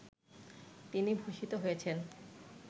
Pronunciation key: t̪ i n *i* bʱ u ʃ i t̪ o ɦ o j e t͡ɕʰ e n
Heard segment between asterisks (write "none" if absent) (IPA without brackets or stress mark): i